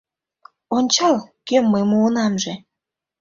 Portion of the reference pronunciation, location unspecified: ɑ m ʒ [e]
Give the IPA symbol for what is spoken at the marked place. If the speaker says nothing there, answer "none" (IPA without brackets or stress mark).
e